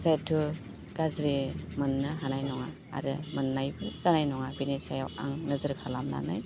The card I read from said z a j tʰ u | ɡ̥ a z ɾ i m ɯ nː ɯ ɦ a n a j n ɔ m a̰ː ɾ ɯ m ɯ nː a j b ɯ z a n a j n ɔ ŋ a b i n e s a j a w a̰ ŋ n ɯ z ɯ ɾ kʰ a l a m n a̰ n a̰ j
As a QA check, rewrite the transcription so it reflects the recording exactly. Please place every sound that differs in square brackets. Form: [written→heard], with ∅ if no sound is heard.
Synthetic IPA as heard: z a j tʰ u | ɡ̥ a z ɾ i m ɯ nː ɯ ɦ a n a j n ɔ [m→ŋ] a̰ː ɾ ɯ m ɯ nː a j b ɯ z a n a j n ɔ ŋ a b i n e s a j a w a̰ ŋ n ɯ z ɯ ɾ kʰ a l a m n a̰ n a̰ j